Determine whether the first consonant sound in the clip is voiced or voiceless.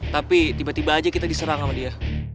voiceless